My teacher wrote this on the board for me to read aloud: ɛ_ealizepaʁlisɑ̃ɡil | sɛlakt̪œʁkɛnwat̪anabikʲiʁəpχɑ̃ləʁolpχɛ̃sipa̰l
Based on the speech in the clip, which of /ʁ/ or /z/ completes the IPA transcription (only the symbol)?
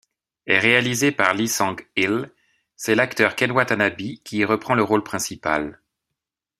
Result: ʁ